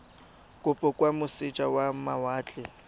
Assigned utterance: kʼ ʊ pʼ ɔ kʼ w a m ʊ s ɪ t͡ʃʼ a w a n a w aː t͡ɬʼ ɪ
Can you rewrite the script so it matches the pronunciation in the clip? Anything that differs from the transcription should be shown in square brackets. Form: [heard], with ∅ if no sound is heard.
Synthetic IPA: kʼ ʊ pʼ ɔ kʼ w a m ʊ s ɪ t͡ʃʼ a w a [m] a w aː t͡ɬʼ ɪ